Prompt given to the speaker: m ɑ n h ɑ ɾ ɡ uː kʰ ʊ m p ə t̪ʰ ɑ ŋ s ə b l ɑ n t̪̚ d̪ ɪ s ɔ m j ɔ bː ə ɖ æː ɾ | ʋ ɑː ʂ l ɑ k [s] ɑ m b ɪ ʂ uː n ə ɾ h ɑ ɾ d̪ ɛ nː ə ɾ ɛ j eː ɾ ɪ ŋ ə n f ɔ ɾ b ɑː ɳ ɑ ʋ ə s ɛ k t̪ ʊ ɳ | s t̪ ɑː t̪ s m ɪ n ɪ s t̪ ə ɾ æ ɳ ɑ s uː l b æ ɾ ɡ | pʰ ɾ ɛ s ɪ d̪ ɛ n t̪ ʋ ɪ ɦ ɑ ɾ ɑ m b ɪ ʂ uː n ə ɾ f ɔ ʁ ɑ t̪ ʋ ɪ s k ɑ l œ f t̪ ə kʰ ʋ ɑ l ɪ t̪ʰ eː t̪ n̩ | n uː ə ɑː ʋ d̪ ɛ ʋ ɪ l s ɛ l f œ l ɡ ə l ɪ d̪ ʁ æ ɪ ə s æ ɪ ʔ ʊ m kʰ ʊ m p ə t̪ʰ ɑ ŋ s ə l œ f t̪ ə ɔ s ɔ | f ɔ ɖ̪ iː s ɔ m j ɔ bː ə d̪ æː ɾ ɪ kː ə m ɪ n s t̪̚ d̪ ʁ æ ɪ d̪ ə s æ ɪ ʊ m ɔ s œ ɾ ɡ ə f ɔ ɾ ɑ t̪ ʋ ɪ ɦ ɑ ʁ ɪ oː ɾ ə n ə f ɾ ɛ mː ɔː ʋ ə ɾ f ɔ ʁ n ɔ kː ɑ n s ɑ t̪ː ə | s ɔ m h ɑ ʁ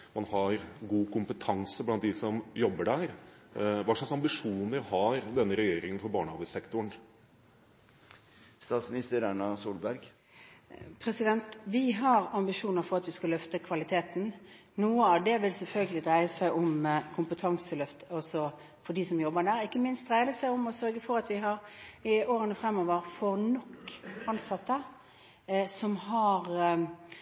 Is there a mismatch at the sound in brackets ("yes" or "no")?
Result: no